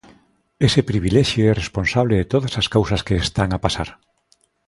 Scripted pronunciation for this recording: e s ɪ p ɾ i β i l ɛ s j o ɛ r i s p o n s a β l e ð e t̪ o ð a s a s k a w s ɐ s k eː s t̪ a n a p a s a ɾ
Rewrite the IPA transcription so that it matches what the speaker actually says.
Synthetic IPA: e s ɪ p ɾ i β i l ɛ ʃ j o ɛ r e s p o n s a β l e ð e t̪ o ð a s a s k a w s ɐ s k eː s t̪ a ŋ a p a s a ɾ